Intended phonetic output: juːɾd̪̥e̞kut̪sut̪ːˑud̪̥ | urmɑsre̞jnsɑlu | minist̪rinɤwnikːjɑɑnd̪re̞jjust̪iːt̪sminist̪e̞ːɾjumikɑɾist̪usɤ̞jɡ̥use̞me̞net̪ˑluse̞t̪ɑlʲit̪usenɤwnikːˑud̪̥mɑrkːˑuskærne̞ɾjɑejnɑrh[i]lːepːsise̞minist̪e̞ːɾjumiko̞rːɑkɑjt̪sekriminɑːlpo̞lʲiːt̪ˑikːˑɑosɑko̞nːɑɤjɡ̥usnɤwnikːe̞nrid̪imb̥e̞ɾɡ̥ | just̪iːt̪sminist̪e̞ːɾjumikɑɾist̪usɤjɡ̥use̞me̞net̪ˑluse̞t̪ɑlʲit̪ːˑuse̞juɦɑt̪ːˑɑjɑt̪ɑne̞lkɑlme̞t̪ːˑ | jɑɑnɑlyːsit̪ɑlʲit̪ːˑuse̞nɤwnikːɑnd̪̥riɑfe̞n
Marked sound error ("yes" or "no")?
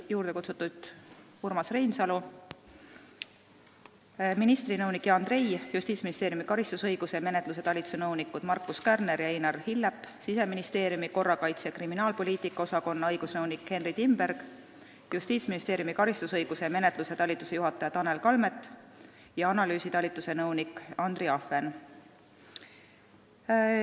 no